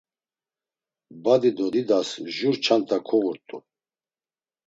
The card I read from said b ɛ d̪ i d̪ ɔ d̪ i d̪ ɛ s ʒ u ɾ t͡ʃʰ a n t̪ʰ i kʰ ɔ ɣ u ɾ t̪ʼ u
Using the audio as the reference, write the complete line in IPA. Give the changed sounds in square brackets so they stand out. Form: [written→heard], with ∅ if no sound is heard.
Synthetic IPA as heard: b [ɛ→a] d̪ i d̪ ɔ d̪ i d̪ [ɛ→a] s ʒ u ɾ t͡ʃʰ a n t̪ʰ [i→a] kʰ ɔ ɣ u ɾ t̪ʼ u